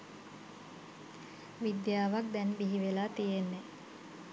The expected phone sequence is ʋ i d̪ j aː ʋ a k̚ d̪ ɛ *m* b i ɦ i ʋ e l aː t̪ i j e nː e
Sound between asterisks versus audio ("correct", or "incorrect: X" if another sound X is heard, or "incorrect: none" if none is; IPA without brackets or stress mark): incorrect: n